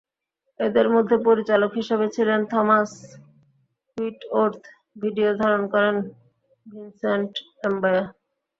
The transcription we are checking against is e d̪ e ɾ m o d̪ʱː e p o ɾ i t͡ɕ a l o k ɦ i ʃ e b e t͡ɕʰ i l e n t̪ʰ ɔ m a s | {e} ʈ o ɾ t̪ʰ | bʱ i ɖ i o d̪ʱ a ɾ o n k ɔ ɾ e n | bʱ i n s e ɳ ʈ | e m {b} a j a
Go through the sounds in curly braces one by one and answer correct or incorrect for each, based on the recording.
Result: incorrect, correct

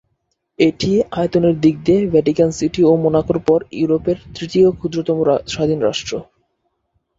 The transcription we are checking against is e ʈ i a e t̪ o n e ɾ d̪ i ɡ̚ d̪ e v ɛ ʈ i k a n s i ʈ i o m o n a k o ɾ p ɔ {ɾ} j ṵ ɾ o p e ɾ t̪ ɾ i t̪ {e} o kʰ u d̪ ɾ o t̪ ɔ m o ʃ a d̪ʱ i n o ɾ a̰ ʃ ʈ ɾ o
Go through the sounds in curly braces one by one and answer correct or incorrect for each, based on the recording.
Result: correct, incorrect

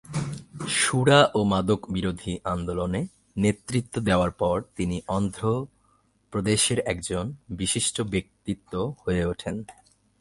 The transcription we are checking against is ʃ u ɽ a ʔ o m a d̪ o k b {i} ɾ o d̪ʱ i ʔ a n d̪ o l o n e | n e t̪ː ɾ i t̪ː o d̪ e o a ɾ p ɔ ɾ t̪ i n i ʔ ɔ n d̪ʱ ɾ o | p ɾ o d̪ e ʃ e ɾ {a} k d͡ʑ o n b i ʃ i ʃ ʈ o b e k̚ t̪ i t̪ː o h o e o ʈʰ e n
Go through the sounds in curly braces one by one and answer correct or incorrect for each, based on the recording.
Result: correct, incorrect

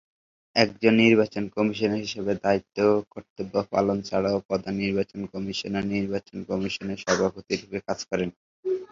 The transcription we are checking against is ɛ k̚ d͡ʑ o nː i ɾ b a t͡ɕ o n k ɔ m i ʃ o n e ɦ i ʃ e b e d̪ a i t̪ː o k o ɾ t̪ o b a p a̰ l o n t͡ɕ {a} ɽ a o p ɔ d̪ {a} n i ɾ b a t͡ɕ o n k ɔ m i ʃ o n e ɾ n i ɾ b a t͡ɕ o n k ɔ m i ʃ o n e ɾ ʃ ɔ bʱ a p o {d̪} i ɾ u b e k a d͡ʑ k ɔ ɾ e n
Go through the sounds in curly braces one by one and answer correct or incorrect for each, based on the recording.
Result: correct, correct, incorrect

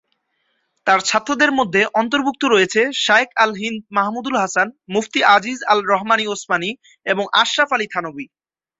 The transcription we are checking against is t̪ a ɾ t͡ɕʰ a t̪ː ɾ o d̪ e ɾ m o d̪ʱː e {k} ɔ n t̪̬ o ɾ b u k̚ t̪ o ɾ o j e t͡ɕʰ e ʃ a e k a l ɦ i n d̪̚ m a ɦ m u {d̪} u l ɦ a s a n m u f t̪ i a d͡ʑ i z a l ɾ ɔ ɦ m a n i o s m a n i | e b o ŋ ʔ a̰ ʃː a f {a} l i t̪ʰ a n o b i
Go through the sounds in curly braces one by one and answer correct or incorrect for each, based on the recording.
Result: incorrect, correct, correct

